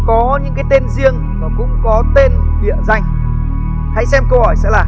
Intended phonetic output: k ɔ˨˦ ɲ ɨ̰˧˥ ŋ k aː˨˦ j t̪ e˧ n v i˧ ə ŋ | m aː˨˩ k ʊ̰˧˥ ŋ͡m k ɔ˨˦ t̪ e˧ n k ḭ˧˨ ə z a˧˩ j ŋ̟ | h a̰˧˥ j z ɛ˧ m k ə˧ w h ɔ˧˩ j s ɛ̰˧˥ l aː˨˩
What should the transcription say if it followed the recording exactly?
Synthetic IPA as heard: k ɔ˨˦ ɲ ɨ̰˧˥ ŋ k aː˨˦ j t̪ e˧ n z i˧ ə ŋ | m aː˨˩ k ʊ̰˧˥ ŋ͡m k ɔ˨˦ t̪ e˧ n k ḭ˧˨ ə z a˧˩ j ŋ̟ | h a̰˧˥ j s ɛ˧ m k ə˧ w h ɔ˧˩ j s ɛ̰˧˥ l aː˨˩